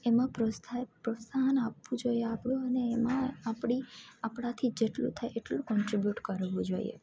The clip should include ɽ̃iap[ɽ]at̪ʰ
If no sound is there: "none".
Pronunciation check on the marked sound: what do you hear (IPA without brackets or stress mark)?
ɽ